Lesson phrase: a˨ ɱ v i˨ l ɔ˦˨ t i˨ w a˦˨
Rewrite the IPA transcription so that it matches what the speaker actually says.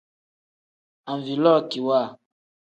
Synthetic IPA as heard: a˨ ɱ v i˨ l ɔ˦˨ k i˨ w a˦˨

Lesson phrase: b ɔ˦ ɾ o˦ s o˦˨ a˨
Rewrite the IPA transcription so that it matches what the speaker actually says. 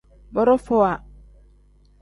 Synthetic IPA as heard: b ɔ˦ ɾ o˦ f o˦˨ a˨

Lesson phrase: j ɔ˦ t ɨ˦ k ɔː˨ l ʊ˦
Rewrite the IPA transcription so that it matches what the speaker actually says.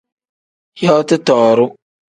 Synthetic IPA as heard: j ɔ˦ t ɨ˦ t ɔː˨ ɾ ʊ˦

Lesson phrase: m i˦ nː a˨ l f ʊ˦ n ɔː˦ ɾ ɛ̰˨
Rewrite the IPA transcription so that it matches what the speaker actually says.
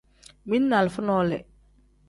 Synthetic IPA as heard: m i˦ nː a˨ l f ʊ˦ n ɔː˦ l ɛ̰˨

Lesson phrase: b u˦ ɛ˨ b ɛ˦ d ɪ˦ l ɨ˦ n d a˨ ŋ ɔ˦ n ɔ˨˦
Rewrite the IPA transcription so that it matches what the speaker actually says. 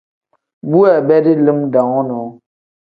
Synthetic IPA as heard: b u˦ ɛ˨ b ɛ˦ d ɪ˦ l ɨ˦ m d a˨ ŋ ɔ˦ n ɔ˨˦

